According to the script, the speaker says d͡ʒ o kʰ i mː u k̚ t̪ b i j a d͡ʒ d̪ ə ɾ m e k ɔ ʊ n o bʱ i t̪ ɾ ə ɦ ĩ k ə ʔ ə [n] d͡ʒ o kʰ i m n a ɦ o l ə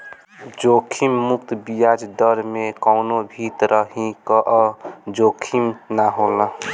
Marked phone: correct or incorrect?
incorrect